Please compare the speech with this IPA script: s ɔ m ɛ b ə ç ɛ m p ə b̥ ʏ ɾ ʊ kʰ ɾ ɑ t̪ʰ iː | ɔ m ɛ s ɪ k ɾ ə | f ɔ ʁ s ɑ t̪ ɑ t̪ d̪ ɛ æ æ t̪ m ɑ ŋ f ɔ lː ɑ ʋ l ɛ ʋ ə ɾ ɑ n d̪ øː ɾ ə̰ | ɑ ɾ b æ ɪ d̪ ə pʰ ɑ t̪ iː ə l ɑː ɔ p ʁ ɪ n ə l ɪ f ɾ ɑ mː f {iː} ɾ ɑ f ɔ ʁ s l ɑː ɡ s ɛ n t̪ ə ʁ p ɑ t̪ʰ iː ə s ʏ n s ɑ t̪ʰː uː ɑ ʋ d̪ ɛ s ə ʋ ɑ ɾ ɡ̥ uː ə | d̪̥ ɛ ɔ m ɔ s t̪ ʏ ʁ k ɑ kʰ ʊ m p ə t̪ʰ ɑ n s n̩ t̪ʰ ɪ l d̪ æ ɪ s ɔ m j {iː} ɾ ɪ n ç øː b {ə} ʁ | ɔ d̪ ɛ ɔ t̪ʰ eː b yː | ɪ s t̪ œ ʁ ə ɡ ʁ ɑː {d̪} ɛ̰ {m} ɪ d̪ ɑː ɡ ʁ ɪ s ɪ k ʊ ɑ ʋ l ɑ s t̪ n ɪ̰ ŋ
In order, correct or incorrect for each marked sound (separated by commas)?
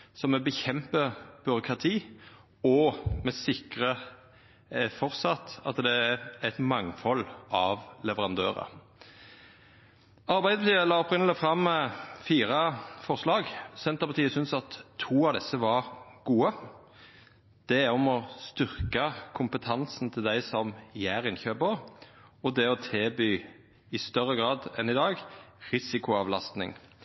correct, incorrect, correct, correct, incorrect